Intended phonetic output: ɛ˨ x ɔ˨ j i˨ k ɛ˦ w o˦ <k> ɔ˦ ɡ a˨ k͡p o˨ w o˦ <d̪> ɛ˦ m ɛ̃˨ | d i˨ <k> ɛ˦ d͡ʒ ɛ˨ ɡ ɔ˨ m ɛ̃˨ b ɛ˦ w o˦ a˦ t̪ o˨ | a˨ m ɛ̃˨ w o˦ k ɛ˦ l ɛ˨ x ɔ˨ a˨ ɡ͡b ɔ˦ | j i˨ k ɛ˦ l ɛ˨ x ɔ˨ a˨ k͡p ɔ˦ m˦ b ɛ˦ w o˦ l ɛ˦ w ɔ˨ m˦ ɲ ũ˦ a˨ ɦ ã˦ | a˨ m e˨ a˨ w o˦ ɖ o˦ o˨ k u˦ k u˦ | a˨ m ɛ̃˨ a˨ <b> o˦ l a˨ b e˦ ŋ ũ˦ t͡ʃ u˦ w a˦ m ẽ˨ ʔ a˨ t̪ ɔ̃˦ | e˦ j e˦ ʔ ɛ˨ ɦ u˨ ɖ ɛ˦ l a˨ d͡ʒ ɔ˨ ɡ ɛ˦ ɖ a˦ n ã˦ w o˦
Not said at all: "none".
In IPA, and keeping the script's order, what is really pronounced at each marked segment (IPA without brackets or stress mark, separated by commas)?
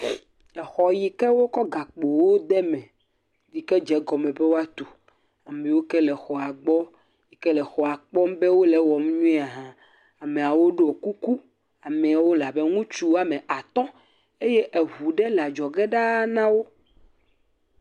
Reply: k, d̪, k, w